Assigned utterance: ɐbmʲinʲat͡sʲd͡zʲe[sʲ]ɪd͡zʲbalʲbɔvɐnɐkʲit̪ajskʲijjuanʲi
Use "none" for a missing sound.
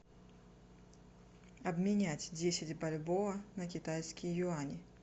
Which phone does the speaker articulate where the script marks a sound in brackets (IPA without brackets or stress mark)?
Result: sʲ